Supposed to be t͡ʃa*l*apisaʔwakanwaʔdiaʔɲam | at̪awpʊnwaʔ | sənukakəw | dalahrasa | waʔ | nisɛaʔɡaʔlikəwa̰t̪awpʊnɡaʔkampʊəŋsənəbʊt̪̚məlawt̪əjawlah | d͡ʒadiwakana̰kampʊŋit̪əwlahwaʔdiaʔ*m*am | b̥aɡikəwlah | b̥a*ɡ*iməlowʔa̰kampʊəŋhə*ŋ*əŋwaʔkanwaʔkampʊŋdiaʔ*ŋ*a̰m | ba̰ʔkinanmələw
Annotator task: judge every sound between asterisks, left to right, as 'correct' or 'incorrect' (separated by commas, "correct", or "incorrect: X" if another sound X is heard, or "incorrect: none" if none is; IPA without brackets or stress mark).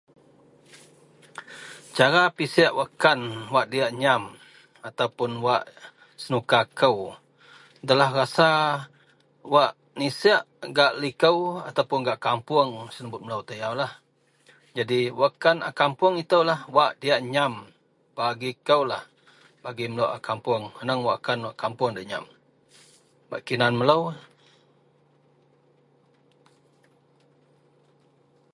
incorrect: ɾ, incorrect: ɲ, correct, incorrect: n, incorrect: ɲ